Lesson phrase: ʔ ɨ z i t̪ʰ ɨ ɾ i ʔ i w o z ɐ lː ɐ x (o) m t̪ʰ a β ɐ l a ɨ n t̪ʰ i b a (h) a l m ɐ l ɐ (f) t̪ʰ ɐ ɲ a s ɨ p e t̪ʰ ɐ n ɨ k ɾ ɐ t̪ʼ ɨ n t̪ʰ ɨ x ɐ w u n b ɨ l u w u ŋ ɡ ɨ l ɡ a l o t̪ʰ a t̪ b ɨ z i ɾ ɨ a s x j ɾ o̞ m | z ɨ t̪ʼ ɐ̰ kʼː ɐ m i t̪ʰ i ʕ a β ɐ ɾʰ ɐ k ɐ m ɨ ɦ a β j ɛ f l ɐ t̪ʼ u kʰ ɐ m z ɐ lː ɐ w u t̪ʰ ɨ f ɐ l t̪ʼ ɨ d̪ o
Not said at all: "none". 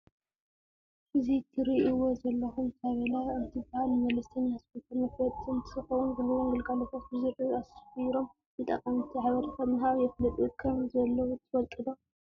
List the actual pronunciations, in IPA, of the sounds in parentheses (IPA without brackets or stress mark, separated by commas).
u, h, s